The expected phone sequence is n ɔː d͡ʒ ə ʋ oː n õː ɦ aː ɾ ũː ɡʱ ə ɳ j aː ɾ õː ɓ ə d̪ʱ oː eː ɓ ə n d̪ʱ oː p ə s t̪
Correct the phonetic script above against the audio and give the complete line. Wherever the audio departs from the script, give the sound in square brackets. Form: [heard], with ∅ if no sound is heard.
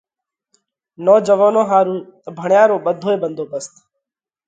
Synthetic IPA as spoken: n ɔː d͡ʒ ə ʋ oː n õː ɦ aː ɾ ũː [bʱ] ə ɳ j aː ɾ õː ɓ ə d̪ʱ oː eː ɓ ə n d̪ʱ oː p ə s t̪